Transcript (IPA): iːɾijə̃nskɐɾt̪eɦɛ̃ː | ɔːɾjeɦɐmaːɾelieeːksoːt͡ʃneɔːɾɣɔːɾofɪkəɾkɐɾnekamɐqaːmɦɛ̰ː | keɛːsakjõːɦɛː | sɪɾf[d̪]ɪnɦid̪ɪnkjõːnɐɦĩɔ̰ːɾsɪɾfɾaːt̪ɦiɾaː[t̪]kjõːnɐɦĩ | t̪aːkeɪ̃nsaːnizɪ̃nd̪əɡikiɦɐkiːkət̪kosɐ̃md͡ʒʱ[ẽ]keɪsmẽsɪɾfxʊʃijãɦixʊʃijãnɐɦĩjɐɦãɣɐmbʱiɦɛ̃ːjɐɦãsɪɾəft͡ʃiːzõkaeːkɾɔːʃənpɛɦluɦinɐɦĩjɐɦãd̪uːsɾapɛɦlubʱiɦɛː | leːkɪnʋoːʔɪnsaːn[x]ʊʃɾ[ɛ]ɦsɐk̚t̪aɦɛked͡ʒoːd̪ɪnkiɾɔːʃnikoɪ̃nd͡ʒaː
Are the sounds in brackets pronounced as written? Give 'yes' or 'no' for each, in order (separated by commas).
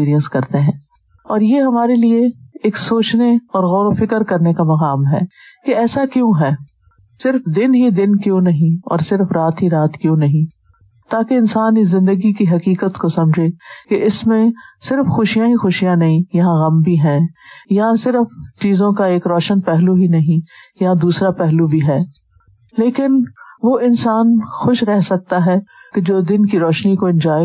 yes, yes, no, yes, yes